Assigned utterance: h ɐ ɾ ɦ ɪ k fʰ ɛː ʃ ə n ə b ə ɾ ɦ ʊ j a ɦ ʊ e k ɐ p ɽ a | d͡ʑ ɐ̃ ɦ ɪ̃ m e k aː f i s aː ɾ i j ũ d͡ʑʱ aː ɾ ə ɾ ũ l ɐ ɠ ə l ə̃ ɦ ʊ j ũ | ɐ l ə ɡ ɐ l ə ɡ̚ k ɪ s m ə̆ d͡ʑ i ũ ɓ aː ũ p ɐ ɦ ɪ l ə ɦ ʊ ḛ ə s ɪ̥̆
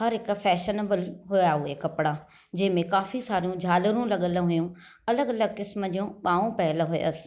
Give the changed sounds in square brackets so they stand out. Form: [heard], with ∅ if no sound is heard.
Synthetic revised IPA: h ɐ ɾ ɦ ɪ k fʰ ɛː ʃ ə n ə b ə [l] ɦ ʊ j a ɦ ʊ e k ɐ p ɽ a | d͡ʑ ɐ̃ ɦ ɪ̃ m [ẽ] k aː f i s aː ɾ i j ũ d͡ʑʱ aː [l] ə ɾ ũ l ɐ ɠ ə l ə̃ ɦ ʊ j ũ | ɐ l ə ɡ ɐ l ə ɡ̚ k ɪ s m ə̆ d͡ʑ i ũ ɓ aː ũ p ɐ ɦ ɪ l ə ɦ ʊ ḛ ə s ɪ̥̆